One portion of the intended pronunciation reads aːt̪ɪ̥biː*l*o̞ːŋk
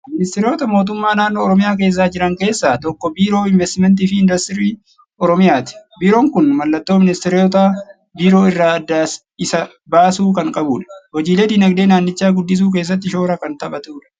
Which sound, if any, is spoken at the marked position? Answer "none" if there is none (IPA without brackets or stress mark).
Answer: ɾ